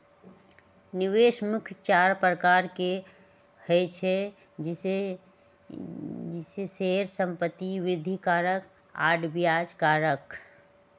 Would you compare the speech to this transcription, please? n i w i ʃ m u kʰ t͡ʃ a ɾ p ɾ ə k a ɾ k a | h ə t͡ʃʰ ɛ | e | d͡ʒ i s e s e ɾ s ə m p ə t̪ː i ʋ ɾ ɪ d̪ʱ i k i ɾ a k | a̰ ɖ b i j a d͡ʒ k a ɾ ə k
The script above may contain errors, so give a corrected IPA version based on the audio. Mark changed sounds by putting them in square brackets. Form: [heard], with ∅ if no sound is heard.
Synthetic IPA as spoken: n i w [e] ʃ m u kʰ t͡ʃ a ɾ p ɾ ə k a ɾ k [e] | h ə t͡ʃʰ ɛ | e | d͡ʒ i s e s e ɾ s ə m p ə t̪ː i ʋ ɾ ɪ d̪ʱ i k [a] ɾ [ə] k | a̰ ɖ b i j a d͡ʒ k a ɾ ə k